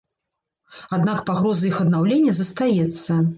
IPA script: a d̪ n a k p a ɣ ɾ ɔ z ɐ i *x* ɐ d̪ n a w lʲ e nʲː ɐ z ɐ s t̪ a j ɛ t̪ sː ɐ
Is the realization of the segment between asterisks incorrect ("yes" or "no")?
no